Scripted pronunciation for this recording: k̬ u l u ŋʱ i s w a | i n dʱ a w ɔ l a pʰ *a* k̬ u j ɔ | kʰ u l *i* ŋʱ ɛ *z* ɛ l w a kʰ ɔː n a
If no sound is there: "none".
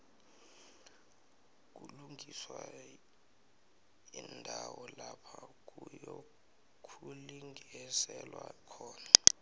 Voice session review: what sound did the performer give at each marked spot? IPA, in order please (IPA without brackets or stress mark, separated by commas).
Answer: a, i, s